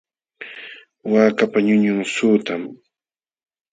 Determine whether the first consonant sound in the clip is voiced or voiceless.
voiced